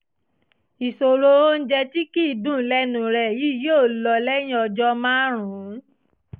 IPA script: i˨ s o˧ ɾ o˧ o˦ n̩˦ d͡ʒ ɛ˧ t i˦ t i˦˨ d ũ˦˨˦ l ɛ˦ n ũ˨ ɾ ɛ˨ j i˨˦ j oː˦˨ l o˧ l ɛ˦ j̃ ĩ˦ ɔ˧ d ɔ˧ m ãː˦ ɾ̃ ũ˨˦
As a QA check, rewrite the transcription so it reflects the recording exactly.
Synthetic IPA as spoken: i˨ s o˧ ɾ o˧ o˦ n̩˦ d͡ʒ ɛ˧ t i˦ k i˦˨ d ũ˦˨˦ l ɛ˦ n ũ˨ ɾ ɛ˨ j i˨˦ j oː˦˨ l ɔ˧ l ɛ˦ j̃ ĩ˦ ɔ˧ d͡ʒ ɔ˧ m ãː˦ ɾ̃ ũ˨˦